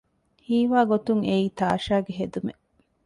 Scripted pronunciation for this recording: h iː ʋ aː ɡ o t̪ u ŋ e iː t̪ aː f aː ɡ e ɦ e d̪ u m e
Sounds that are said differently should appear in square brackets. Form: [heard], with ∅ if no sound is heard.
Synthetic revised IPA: h iː ʋ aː ɡ o t̪ u ŋ e iː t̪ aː [ʃ] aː ɡ e ɦ e d̪ u m e